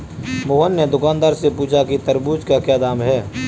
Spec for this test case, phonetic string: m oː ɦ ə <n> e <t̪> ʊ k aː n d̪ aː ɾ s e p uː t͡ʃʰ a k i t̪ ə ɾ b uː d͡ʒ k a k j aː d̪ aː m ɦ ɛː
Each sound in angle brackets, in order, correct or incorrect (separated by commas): incorrect, incorrect